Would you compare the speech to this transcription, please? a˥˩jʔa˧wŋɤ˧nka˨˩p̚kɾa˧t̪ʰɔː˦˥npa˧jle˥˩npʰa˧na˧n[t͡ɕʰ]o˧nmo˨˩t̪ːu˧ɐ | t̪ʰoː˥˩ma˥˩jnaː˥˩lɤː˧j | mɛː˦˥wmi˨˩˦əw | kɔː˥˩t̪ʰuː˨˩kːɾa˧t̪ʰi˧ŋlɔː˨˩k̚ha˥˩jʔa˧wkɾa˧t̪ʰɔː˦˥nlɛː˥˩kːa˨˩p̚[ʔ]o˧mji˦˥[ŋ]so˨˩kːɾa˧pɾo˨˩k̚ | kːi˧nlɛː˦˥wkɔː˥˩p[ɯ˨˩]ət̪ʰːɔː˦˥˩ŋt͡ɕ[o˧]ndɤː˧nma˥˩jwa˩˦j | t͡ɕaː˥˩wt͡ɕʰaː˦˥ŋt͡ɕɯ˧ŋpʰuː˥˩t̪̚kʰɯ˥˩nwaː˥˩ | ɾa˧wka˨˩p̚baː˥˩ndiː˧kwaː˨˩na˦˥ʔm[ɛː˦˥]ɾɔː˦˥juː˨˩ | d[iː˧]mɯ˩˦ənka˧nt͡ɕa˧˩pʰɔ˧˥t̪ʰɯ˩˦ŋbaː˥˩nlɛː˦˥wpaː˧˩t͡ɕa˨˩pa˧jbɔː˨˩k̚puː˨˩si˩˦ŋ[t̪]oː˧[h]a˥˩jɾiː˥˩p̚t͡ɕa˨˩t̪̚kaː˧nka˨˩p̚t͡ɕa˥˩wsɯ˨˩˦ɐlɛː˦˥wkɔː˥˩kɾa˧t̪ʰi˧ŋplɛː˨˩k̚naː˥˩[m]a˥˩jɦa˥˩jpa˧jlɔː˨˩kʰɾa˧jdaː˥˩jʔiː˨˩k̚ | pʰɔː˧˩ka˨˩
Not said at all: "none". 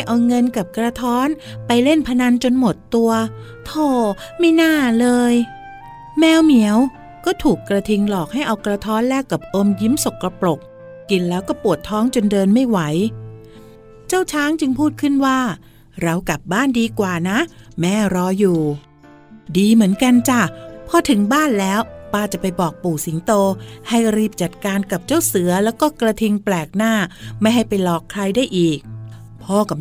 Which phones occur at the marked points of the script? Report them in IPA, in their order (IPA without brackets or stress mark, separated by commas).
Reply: t͡ɕ, ʔ, m, u˨˩, o˧, ɛː˦˥, iː˧, t̪, h, m